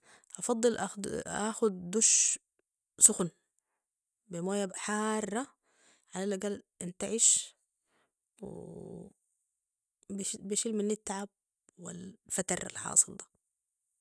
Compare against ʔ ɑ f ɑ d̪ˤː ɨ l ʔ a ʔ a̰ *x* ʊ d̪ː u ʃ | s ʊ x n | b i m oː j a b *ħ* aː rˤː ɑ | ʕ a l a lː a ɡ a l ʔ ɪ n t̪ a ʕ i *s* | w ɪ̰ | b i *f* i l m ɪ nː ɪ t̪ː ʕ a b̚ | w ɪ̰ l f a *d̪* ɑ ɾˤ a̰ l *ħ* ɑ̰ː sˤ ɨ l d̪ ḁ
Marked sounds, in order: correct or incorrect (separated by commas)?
correct, correct, incorrect, incorrect, incorrect, correct